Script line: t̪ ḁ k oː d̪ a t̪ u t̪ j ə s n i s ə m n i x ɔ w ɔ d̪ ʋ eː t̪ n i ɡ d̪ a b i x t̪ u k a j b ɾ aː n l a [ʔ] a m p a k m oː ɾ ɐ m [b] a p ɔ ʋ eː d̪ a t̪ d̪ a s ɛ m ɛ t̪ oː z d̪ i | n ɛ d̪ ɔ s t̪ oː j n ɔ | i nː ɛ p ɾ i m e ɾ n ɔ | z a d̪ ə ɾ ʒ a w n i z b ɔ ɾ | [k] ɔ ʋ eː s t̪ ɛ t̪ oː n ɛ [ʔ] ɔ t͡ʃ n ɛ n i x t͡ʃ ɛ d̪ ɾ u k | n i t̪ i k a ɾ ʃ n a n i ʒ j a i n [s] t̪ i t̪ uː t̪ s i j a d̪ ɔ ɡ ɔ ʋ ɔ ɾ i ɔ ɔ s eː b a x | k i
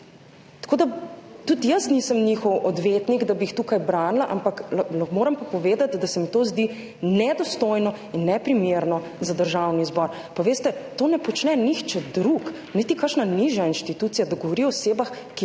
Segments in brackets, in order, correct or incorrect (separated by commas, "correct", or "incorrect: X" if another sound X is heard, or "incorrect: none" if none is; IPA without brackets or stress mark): correct, incorrect: p, incorrect: p, incorrect: p, incorrect: ʃ